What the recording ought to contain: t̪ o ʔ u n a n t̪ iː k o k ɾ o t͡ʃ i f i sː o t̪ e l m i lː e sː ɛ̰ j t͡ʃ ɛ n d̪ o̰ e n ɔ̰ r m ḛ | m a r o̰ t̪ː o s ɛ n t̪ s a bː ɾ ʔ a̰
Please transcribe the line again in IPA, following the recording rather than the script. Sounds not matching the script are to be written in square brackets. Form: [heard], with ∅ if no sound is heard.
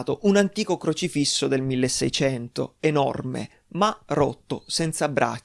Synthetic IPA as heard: t̪ o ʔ u n a n t̪ iː k o k ɾ o t͡ʃ i f i sː o [d̪] e l m i lː e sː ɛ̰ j t͡ʃ ɛ n [t̪] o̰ e n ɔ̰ r m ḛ | m a r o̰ t̪ː o s ɛ n t̪ s a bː ɾ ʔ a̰